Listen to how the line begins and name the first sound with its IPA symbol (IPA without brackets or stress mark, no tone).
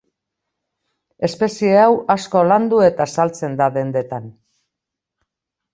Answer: e̞